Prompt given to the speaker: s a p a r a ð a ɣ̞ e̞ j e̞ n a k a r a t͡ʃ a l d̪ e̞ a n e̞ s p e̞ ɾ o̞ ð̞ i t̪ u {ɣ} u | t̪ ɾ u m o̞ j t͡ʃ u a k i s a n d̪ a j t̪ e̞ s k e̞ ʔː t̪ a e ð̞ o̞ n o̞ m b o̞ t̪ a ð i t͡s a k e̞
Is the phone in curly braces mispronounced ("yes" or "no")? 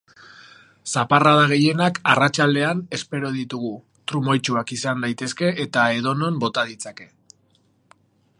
no